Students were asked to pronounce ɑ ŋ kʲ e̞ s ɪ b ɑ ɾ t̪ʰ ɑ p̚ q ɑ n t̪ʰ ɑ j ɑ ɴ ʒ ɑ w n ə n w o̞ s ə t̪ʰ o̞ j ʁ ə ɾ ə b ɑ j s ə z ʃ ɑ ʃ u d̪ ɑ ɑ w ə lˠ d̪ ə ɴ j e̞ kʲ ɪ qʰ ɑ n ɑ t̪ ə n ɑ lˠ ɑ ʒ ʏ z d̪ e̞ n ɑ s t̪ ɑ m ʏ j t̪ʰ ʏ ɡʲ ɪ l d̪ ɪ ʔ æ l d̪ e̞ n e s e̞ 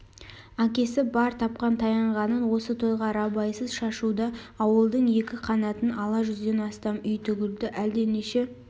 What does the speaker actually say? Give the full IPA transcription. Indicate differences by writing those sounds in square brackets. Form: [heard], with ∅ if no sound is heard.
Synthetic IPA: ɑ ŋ kʲ e̞ s ɪ b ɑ ɾ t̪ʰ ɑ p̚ q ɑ n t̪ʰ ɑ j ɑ ɴ [ʁ] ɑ [∅] n ə n w o̞ s ə t̪ʰ o̞ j ʁ [ɑ] ɾ [ɑ] b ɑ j s ə z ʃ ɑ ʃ u d̪ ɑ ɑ w ə lˠ d̪ ə ɴ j e̞ kʲ ɪ qʰ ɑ n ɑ t̪ ə n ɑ lˠ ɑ ʒ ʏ z d̪ e̞ n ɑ s t̪ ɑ m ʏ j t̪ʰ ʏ ɡʲ ɪ l d̪ ɪ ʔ æ l d̪ e̞ n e [ʃ] e̞

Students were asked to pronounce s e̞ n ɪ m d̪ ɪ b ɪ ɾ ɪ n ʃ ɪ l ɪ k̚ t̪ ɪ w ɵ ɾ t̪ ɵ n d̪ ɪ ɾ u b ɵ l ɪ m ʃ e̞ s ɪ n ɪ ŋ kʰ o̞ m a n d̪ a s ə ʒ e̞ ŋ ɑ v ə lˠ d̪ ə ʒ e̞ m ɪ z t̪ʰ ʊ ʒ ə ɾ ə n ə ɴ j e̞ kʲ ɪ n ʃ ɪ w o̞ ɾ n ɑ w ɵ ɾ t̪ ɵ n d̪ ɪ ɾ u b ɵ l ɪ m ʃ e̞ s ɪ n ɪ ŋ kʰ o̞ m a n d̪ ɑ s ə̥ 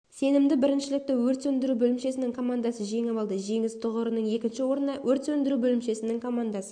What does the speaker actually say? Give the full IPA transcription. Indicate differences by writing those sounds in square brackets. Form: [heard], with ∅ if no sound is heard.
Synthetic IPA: s e̞ n ɪ m d̪ ɪ b ɪ ɾ ɪ n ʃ ɪ l ɪ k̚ t̪ ɪ w ɵ ɾ t̪ ɵ n d̪ ɪ ɾ u b ɵ l ɪ m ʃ e̞ s ɪ n ɪ ŋ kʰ o̞ m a n d̪ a s ə ʒ e̞ ŋ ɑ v [ɑ] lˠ d̪ ə ʒ e̞ [ŋ] ɪ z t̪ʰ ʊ [ʁ] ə ɾ ə n ə ɴ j e̞ kʲ ɪ n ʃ ɪ w o̞ ɾ n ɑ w ɵ ɾ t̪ ɵ n d̪ ɪ ɾ u b ɵ l ɪ m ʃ e̞ s ɪ n ɪ ŋ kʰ o̞ m a n d̪ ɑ s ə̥

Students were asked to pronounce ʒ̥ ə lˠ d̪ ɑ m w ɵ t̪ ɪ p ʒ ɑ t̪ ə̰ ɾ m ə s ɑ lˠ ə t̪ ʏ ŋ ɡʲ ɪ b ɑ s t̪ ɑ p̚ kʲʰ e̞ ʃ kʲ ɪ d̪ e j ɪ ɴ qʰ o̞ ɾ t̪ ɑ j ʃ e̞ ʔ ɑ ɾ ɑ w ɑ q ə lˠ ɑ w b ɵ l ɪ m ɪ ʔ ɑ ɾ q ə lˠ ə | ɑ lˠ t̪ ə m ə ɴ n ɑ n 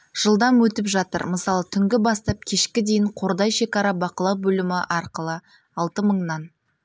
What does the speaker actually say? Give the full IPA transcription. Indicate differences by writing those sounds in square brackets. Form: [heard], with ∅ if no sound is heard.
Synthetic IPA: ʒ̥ ə lˠ d̪ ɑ m w ɵ t̪ ɪ p ʒ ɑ t̪ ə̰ ɾ m ə s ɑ lˠ ə [t̪ʰ] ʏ ŋ ɡʲ ɪ b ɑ s t̪ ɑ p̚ kʲʰ e̞ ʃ kʲ ɪ d̪ e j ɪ ɴ qʰ o̞ ɾ [d̪] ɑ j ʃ e̞ [k] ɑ ɾ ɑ [b] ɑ q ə lˠ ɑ w b ɵ l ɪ m ɪ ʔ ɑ ɾ q ə lˠ ə | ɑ lˠ t̪ ə m ə ɴ n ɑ n

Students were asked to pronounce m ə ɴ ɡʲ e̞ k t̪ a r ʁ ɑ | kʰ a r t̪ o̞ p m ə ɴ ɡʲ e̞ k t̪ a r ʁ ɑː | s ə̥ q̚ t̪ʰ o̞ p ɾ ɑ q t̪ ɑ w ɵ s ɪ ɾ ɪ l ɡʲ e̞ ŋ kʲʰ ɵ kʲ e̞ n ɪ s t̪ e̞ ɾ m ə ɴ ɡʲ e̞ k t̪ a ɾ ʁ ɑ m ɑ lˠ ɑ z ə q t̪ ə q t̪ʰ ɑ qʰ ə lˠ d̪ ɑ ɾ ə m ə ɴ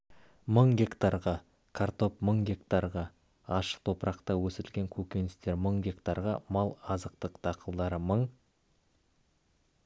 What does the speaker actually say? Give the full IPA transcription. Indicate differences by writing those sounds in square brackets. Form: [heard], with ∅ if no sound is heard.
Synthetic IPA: m ə ɴ ɡʲ e̞ k t̪ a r ʁ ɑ | kʰ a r t̪ o̞ p m ə ɴ ɡʲ e̞ k t̪ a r ʁ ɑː | [ʃ] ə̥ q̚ t̪ʰ o̞ p ɾ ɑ q t̪ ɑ w ɵ s ɪ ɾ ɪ l ɡʲ e̞ ŋ kʲʰ ɵ kʲ e̞ n ɪ s t̪ e̞ ɾ m ə ɴ ɡʲ e̞ k t̪ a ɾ ʁ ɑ m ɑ lˠ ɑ z ə q t̪ ə q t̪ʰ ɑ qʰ ə lˠ d̪ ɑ ɾ ə m ə ɴ

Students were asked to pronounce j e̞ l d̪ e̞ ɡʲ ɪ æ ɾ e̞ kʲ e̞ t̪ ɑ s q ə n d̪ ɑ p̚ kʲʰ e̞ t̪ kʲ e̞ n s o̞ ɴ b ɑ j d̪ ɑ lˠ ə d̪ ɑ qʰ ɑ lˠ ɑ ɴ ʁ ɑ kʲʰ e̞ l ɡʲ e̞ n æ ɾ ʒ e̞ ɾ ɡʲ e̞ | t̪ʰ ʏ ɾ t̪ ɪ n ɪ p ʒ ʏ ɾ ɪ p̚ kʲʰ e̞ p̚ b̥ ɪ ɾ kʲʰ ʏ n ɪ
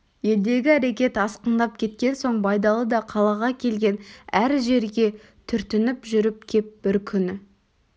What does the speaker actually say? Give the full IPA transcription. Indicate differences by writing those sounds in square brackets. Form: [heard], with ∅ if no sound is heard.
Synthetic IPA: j e̞ l d̪ e̞ ɡʲ ɪ æ ɾ e̞ kʲ e̞ t̪ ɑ s q ə n d̪ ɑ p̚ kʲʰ e̞ t̪ kʲ e̞ n s o̞ ɴ b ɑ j d̪ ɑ lˠ ə d̪ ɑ qʰ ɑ lˠ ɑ [∅] ʁ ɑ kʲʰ e̞ l ɡʲ e̞ n æ ɾ ʒ e̞ ɾ ɡʲ e̞ | t̪ʰ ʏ ɾ t̪ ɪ n ɪ p ʒ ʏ ɾ ɪ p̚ kʲʰ e̞ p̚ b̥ ɪ ɾ kʲʰ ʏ n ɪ

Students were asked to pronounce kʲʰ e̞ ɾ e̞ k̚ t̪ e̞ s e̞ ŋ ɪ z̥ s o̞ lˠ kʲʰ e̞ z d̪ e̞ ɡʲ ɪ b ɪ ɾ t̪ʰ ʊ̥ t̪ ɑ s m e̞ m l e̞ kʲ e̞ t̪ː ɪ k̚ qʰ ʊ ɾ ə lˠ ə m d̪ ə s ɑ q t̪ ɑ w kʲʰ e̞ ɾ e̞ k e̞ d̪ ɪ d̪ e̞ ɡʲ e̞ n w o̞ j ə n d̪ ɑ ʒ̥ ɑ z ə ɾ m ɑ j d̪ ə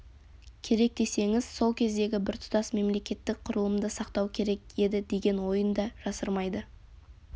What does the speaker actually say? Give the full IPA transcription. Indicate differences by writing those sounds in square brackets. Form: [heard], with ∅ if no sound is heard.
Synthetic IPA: kʲʰ e̞ ɾ e̞ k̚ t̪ e̞ s e̞ ŋ ɪ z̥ s o̞ lˠ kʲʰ e̞ z d̪ e̞ ɡʲ ɪ b ɪ ɾ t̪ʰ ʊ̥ t̪ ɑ s m e̞ m l e̞ kʲ e̞ t̪ː ɪ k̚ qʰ ʊ ɾ ə lˠ ə m d̪ ə s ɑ q t̪ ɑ w kʲʰ e̞ ɾ e̞ k e̞ d̪ ɪ d̪ e̞ ɡʲ e̞ n w o̞ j ə n d̪ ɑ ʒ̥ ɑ [s] ə ɾ m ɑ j d̪ ə

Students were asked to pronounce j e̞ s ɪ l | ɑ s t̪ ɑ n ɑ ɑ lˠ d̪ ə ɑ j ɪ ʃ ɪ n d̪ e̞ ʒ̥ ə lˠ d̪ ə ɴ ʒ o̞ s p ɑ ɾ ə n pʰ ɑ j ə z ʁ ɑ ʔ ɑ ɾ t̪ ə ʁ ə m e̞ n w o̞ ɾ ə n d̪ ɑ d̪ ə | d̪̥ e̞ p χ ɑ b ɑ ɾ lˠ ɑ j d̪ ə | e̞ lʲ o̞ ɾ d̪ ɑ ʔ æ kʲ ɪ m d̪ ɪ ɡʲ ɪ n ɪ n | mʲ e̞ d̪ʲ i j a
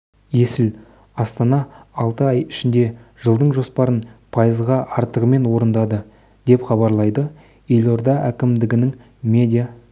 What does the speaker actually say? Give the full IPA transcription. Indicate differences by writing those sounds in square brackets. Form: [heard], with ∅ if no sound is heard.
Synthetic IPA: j e̞ s ɪ l | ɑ s t̪ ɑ n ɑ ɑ lˠ [t̪] ə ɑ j ɪ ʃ ɪ n d̪ e̞ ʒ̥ ə lˠ d̪ ə ɴ ʒ o̞ s p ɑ ɾ ə n pʰ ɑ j ə z ʁ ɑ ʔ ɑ ɾ t̪ ə ʁ ə m e̞ n w o̞ ɾ ə n d̪ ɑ d̪ ə | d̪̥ e̞ p χ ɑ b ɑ ɾ lˠ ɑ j d̪ ə | e̞ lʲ o̞ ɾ d̪ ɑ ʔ æ kʲ ɪ m d̪ ɪ ɡʲ ɪ n ɪ [ŋ] | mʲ e̞ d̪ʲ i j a

